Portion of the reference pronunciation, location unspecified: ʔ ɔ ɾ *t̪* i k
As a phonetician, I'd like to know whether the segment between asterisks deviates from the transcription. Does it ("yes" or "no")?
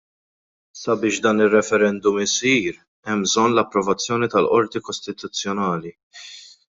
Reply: no